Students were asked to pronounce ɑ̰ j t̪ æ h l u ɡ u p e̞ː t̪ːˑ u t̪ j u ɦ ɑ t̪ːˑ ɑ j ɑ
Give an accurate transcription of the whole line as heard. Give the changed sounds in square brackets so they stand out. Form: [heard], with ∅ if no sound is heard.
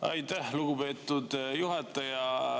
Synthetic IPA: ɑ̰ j t̪ æ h l u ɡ u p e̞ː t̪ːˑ u [d̪] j u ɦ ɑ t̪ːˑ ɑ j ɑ